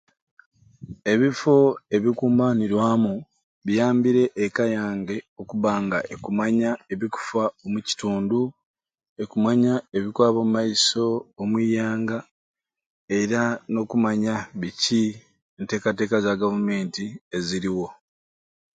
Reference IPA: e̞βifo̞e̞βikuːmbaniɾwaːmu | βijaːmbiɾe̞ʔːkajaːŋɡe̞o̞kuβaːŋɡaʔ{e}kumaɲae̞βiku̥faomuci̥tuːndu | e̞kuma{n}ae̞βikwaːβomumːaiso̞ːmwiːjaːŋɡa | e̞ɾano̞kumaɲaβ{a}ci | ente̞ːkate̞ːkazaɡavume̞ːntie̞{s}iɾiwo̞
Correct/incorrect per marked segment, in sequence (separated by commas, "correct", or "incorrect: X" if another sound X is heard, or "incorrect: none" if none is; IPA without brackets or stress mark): correct, incorrect: ɲ, incorrect: i, incorrect: z